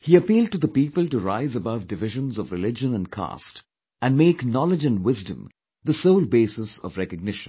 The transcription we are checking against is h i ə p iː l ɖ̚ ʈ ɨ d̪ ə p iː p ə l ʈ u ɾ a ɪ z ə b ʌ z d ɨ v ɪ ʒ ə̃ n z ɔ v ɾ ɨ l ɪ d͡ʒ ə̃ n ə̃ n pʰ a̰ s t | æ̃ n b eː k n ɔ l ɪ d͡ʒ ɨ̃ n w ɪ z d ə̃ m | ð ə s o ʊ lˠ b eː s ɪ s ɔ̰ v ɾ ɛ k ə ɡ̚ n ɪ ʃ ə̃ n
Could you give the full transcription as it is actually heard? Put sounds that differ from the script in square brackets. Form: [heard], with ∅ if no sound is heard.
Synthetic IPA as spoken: h i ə p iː l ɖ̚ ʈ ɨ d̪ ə p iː p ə l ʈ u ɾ a ɪ z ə b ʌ [v] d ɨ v ɪ ʒ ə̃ n z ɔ v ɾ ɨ l ɪ d͡ʒ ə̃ n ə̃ n [kʰ] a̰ s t | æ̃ n [m] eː k n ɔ l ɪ d͡ʒ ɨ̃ n w ɪ z d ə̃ m | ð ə s o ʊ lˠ b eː s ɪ s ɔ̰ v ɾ ɛ k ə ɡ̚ n ɪ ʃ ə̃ n